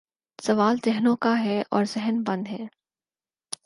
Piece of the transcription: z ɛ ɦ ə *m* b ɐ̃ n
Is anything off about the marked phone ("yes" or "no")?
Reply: yes